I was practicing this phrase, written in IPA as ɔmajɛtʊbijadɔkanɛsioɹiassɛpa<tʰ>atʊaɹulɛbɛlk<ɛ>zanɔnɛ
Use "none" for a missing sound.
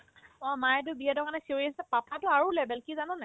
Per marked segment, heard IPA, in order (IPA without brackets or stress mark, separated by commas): pʰ, i